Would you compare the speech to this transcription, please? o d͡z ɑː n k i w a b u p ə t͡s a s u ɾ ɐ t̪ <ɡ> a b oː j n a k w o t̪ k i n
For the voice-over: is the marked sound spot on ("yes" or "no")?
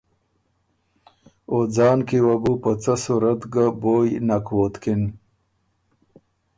yes